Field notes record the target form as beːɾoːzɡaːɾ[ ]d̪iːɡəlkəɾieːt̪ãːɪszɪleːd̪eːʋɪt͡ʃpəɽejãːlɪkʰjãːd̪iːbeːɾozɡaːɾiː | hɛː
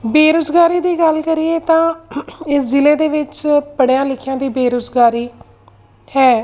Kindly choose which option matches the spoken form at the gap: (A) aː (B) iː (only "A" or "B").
B